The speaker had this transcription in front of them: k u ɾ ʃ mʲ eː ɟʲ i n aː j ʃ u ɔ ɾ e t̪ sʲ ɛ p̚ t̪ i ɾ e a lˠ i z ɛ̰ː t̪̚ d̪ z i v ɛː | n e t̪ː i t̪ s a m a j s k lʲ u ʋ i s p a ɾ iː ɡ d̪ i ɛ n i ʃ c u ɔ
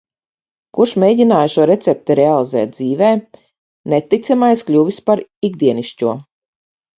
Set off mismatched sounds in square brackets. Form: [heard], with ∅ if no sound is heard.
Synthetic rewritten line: k u ɾ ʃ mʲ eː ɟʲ i n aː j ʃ u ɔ ɾ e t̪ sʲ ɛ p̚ t̪ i ɾ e a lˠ i z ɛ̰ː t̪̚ d̪ z [iː] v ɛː | n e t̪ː i t̪ s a m a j s k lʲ u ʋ i s p a ɾ [i] ɡ d̪ i ɛ n i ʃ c u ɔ